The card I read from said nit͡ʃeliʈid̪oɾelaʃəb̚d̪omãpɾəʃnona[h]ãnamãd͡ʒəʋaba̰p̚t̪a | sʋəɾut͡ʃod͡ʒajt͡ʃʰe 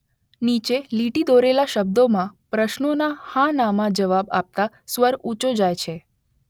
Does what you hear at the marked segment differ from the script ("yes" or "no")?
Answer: no